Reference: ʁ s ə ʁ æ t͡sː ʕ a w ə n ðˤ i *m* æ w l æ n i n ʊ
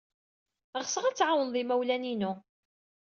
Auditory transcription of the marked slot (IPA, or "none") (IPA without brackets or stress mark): m